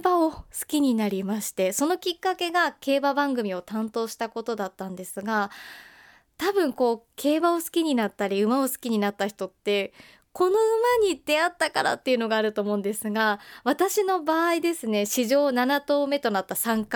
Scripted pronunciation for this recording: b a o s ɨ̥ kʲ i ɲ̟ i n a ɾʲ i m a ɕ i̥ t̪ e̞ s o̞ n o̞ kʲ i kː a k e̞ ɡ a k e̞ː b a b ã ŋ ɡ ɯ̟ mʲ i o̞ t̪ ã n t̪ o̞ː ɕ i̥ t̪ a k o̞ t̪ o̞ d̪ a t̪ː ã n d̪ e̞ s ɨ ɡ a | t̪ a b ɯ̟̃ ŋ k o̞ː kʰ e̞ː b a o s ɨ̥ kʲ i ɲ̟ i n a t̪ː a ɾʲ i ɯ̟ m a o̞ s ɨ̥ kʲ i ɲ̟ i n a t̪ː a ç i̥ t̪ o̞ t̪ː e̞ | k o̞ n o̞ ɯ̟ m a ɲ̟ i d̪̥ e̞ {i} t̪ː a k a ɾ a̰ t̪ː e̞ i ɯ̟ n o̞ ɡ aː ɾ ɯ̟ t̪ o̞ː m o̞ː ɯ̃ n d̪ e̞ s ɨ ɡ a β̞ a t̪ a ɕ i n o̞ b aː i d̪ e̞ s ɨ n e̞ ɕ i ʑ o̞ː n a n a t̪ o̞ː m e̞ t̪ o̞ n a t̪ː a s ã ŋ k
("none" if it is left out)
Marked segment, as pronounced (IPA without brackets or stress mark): a